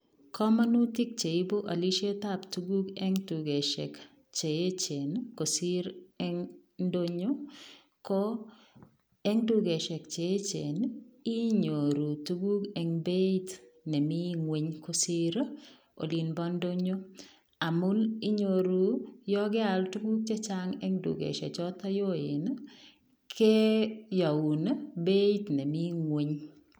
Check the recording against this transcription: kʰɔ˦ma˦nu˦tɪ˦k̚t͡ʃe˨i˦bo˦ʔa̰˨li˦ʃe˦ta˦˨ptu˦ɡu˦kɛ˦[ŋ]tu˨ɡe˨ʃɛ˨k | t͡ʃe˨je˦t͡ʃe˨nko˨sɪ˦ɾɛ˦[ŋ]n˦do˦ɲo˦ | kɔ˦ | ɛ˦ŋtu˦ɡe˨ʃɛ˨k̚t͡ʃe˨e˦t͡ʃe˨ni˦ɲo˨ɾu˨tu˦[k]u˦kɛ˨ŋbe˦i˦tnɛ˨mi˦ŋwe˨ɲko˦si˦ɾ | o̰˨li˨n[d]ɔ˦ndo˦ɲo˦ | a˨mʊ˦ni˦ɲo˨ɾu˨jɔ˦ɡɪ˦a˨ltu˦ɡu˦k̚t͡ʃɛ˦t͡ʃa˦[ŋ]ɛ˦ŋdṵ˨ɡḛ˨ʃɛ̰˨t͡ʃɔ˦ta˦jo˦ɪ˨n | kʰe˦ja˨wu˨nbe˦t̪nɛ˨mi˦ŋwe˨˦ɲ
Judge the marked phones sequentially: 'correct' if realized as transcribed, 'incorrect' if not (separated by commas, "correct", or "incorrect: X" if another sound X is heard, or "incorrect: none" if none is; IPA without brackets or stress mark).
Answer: correct, correct, incorrect: ɡ, incorrect: b, correct